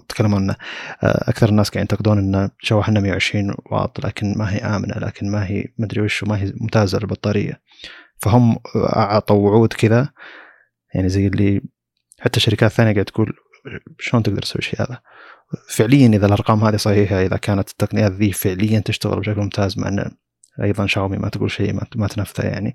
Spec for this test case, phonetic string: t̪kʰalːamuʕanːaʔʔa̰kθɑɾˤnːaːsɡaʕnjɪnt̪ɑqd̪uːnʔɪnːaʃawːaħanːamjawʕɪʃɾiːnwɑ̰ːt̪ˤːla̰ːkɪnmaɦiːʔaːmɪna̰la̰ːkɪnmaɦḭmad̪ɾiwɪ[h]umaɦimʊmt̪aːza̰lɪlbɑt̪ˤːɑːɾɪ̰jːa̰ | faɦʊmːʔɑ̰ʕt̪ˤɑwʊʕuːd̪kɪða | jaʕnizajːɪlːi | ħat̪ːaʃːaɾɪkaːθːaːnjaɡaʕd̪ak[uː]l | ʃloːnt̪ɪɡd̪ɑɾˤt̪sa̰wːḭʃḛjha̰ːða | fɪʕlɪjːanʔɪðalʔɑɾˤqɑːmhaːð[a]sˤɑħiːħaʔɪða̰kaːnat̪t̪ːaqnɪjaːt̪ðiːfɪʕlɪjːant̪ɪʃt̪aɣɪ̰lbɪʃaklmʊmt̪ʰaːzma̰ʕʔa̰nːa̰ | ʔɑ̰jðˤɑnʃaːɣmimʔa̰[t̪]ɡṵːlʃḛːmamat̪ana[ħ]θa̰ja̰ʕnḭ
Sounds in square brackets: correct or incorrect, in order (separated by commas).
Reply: incorrect, correct, incorrect, correct, incorrect